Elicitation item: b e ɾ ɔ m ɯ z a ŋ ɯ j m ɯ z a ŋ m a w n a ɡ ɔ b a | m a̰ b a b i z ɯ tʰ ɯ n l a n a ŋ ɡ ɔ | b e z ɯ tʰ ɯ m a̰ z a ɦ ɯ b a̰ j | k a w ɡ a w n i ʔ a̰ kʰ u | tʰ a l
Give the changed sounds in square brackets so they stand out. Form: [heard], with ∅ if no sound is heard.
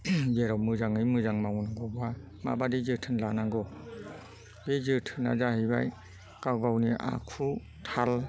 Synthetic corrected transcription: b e ɾ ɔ m ɯ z a ŋ ɯ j m ɯ z a ŋ m a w n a ɡ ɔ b a | m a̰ b a [d] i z ɯ tʰ ɯ n l a n a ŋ ɡ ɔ | b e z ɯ tʰ ɯ [n] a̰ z a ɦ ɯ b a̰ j | k a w ɡ a w n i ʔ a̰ kʰ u | tʰ a l